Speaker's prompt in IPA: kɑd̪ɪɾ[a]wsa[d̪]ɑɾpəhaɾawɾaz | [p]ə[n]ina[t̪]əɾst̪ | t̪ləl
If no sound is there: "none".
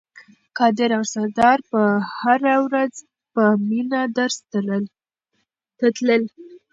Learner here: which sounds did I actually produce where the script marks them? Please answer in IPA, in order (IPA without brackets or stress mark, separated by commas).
a, d̪, p, m, d̪